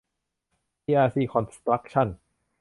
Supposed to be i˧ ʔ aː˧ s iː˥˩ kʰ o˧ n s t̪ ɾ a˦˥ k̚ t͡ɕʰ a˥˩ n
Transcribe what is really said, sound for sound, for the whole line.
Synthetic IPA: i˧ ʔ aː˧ s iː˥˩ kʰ ɔ˧ n s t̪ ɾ a˦˥ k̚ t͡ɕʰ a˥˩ n

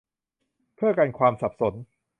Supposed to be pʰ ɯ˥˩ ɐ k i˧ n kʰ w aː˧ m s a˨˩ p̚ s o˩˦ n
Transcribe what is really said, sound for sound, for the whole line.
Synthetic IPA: pʰ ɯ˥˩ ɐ k a˧ n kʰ w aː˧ m s a˨˩ p̚ s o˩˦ n

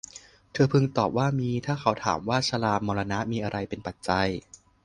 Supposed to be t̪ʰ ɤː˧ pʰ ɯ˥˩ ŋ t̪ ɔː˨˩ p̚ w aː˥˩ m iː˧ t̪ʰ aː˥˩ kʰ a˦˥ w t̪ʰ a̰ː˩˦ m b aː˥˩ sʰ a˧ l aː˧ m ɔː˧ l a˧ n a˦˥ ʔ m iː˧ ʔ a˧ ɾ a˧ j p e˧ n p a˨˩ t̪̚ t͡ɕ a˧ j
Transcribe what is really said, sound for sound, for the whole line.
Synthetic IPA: t̪ʰ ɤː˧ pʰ ɯ˧ ŋ t̪ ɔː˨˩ p̚ w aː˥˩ m iː˧ t̪ʰ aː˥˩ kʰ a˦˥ w t̪ʰ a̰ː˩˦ m w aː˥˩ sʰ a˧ l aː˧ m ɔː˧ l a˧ n a˦˥ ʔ m iː˧ ʔ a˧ ɾ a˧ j p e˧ n p a˨˩ t̪̚ t͡ɕ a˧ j

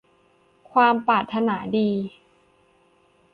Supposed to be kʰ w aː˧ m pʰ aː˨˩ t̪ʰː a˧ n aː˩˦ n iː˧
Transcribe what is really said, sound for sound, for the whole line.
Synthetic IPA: kʰ w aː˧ m p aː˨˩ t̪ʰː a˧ n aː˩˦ d iː˧

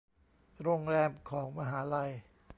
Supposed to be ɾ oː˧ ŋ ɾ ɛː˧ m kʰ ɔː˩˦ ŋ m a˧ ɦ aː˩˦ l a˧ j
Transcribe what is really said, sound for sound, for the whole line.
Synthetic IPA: ɾ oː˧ ŋ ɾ ɛː˧ m kʰ ɔː˩˦ ŋ m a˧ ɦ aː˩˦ l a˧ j

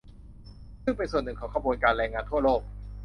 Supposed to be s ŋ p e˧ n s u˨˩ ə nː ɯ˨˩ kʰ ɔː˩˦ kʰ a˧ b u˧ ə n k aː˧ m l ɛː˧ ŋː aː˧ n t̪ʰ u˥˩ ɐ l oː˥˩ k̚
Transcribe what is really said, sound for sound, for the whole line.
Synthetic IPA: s ŋ p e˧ n s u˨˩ ə nː ɯ˨˩ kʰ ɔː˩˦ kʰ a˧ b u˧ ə n k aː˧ n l ɛː˧ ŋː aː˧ n t̪ʰ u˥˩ ɐ l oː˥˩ k̚

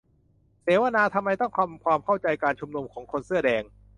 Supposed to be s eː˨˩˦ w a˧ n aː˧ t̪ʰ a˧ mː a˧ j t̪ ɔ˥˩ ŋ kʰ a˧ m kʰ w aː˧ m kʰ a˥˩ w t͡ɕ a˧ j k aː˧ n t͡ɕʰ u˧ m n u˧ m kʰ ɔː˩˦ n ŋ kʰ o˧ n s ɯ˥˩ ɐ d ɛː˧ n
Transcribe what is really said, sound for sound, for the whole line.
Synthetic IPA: s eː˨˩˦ w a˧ n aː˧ t̪ʰ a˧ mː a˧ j t̪ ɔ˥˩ ŋ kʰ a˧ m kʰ w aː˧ m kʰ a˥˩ w t͡ɕ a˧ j k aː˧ n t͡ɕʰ u˧ m n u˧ m kʰ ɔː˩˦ ŋ kʰ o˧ n s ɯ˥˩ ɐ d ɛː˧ ŋ

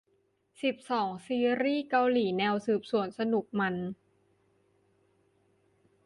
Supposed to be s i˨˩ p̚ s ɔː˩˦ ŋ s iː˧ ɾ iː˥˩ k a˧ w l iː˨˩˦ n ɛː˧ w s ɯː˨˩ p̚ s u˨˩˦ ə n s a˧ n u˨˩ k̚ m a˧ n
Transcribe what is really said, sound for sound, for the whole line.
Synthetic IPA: s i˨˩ p̚ s ɔː˩˦ ŋ s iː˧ ɾ iː˥˩ k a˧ w l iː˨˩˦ n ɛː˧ w s ɯː˨˩ p̚ s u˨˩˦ ə n s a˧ n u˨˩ k̚ m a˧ n

